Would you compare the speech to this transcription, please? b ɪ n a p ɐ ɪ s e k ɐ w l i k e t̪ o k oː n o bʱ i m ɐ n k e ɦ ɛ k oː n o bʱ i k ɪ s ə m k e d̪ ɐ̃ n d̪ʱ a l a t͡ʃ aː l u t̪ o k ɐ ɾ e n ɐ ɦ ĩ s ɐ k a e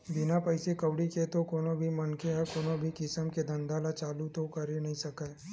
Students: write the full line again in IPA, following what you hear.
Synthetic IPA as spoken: b ɪ n a p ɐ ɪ s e k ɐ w ɽ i k e t̪ o k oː n o bʱ i m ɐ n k e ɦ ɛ k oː n o bʱ i k ɪ s ə m k e d̪ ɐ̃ n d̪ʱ a l a t͡ʃ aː l u t̪ o k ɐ ɾ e n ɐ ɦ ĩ s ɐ k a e